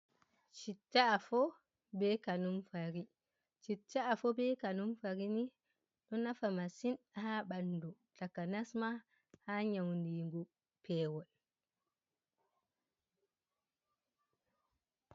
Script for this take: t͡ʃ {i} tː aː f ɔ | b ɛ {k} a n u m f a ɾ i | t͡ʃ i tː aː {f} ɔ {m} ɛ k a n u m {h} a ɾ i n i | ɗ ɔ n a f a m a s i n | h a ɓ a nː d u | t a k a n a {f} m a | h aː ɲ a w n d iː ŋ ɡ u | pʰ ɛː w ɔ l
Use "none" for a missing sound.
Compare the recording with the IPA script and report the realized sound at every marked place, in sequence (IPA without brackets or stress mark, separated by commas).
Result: i, k, f, b, f, s